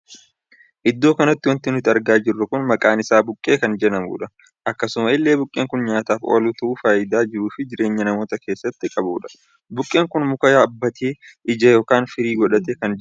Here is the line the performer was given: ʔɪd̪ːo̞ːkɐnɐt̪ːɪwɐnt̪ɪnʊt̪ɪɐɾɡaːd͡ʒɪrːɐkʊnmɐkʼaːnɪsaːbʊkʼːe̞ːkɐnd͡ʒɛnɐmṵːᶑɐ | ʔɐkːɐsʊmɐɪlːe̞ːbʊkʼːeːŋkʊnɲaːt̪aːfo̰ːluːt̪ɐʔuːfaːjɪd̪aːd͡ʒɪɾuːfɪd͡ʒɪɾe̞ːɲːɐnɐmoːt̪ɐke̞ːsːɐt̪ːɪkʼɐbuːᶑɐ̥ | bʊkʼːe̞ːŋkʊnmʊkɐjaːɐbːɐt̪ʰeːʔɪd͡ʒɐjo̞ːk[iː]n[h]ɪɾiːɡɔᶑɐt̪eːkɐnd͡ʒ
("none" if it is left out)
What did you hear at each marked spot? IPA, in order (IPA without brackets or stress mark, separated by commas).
aː, f